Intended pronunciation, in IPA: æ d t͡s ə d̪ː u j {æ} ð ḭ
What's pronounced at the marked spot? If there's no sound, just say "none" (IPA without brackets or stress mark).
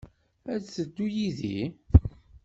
i